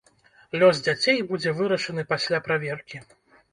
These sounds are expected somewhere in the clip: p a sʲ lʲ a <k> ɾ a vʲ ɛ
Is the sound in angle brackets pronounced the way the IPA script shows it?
no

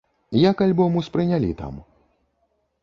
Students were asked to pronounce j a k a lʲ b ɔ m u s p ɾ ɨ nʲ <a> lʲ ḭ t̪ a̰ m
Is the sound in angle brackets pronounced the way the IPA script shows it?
yes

